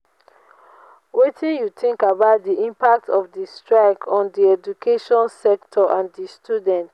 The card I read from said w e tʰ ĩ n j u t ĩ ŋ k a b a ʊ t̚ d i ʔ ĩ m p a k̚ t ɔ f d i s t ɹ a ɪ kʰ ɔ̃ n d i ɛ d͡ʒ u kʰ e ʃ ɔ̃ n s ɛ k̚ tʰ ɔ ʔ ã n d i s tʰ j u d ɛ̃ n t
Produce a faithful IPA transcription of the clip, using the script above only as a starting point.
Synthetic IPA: w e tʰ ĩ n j u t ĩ ŋ k a b a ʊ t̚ d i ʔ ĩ m p a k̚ t ɔ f d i s t ɹ a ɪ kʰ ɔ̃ n d i ɛ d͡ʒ u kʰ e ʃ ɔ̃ n s ɛ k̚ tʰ ɔ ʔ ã n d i s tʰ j u d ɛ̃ n t